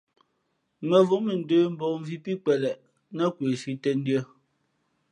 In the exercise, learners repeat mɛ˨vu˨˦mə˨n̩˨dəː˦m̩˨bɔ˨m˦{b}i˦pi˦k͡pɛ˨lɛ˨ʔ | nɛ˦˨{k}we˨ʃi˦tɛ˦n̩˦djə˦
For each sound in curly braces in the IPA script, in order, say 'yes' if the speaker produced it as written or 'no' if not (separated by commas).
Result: no, yes